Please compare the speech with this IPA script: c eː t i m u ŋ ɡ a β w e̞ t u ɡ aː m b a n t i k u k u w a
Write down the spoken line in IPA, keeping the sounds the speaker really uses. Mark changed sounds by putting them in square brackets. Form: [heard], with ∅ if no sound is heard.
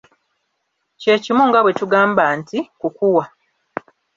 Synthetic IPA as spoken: c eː [c] i m u ŋ ɡ a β w e̞ t u ɡ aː m b a n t i k u k u w a